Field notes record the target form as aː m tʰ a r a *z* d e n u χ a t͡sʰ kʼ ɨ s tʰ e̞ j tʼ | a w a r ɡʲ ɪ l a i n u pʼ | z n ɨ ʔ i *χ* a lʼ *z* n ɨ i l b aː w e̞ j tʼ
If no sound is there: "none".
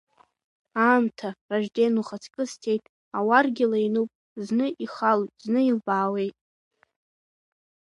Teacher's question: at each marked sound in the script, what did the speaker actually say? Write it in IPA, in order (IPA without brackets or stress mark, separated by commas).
ʒ, χ, z